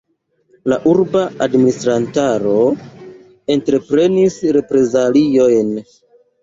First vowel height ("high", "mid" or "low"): low